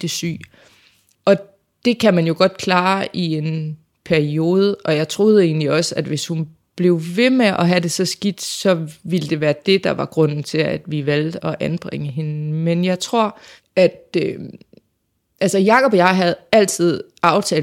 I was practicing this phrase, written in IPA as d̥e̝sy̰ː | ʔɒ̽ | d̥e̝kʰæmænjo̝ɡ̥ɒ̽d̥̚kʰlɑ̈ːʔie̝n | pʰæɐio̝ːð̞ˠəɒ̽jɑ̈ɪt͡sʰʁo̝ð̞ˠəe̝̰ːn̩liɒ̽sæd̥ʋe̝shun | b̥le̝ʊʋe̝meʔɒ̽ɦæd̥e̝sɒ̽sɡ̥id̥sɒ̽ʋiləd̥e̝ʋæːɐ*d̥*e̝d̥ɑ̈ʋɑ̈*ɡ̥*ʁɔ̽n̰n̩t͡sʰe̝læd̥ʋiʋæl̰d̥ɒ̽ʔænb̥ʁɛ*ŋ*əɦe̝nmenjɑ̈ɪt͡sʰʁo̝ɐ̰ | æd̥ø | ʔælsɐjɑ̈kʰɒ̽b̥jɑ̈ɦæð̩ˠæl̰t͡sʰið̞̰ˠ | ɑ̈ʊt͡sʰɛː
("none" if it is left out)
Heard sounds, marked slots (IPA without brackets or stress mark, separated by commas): d̥, ɡ̥, ŋ